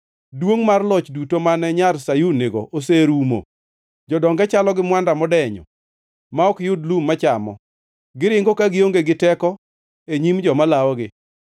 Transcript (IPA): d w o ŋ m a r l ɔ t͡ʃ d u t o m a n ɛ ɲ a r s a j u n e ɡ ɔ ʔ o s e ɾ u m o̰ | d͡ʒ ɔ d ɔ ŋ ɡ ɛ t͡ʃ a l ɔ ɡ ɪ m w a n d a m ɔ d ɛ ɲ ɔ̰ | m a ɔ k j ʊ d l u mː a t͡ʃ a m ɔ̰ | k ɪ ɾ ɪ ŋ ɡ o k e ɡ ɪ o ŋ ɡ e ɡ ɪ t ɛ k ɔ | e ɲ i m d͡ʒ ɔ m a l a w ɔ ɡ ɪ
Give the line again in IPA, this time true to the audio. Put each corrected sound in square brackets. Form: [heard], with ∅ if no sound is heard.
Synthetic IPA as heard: d w o ŋ m a r l ɔ t͡ʃ d u t o m a n ɛ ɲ a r s a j u n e ɡ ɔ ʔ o s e ɾ u m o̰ | d͡ʒ ɔ d ɔ ŋ ɡ ɛ t͡ʃ a l ɔ ɡ ɪ m w a n d a m ɔ d ɛ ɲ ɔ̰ | m a ɔ k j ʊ d l u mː a t͡ʃ a m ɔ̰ | [ɡ] ɪ ɾ ɪ ŋ ɡ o k [a] ɡ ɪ o ŋ ɡ e ɡ ɪ t ɛ k ɔ | e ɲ i m d͡ʒ ɔ m a l a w ɔ ɡ ɪ